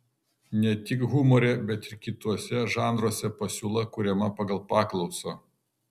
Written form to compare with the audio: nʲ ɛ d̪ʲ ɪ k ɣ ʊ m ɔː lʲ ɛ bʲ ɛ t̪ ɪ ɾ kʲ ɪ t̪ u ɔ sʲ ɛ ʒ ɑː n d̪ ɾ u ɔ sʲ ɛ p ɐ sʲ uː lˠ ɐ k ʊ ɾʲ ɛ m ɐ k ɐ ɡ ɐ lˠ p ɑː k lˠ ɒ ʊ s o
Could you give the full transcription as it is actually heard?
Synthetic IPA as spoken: nʲ ɛ t̪ʲ ɪ k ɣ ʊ m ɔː ɾʲ ɛ bʲ ɛ t̪ ɪ ɾ kʲ ɪ t̪ u ɔ sʲ ɛ ʒ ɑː n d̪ ɾ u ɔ sʲ ɛ p ɐ sʲ uː lˠ ɐ k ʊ ɾʲ ɛ m ɐ p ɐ ɡ ɐ lˠ p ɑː k lˠ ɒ ʊ s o